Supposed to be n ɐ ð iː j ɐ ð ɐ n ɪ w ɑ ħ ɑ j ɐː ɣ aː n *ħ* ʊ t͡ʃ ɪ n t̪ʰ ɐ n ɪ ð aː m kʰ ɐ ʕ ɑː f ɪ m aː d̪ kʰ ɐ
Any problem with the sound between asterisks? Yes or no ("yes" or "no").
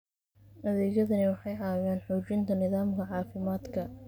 no